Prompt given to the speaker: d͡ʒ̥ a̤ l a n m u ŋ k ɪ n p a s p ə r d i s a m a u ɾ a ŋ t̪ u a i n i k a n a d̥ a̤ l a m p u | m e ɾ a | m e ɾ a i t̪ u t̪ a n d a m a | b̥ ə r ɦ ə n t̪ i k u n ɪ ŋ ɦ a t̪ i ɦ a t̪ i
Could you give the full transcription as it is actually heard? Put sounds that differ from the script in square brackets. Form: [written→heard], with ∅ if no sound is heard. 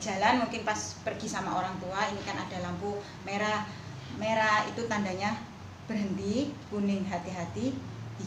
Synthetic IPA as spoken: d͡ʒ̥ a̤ l a n m u ŋ k ɪ n p a s p ə r [d→ɡ] i s a m a [u→o] ɾ a ŋ t̪ u a i n i k a n a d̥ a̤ l a m p u | m e ɾ a | m e ɾ a i t̪ u t̪ a n d a [m→ɲ] a | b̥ ə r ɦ ə n t̪ i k u n ɪ ŋ ɦ a t̪ i ɦ a t̪ i